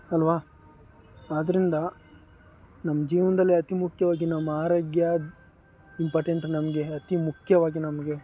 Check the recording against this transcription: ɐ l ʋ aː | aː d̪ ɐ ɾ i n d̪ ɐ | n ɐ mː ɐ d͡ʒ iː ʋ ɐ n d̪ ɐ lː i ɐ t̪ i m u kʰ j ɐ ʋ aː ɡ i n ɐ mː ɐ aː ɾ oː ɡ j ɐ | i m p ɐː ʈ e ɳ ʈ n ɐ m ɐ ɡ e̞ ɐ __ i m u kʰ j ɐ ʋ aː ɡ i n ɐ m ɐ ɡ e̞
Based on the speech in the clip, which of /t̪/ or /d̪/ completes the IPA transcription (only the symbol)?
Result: t̪